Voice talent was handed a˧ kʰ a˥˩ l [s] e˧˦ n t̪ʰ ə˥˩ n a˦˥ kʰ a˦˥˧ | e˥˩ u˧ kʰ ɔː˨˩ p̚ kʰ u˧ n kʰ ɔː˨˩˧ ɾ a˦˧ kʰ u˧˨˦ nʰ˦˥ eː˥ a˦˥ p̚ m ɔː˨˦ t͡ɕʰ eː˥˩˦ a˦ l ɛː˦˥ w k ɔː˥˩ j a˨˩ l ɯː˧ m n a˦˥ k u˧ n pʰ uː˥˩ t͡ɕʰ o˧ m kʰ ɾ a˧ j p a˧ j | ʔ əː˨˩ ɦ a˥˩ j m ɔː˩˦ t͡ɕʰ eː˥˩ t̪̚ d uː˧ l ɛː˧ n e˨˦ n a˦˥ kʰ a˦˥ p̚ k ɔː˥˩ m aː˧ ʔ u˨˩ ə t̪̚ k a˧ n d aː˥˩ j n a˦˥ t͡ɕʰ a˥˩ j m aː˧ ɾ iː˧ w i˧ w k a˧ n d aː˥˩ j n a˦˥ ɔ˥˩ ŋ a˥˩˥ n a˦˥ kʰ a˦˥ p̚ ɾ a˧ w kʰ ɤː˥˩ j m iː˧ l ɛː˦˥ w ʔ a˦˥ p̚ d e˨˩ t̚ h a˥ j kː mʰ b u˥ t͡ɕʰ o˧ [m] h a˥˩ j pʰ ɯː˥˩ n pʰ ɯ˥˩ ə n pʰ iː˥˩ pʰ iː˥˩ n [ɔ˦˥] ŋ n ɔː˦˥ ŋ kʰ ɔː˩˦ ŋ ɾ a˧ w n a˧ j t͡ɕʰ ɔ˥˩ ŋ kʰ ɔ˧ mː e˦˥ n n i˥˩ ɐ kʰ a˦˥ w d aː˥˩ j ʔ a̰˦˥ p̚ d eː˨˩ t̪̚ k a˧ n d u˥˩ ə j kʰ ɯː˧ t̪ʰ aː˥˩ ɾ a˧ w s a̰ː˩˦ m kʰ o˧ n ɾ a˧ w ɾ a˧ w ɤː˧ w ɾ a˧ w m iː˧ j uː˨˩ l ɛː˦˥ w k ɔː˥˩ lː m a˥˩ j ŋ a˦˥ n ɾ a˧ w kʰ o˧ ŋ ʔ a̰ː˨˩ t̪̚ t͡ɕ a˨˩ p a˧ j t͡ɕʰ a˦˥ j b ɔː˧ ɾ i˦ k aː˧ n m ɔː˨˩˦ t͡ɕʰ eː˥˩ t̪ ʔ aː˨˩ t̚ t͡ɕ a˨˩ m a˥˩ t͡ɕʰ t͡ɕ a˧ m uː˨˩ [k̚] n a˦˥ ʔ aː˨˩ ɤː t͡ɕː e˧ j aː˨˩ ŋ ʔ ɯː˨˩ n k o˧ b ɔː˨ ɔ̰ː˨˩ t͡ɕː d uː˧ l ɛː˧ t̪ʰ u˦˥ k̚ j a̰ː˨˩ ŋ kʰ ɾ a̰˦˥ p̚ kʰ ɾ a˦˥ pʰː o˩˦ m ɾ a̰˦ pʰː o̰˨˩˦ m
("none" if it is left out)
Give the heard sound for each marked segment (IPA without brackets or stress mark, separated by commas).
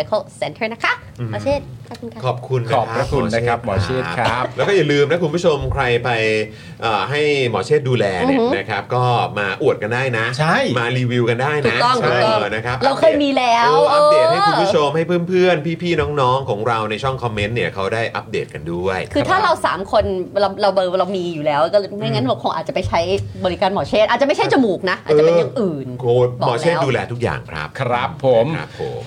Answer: s, m, ɔː˦˥, k̚